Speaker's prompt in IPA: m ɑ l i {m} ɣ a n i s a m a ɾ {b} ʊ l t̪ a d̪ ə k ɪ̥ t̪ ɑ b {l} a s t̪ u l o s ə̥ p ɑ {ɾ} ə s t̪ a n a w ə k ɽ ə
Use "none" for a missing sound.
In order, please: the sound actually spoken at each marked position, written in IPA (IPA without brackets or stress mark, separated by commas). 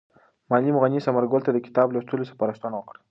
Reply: m, ɡ, l, ɾ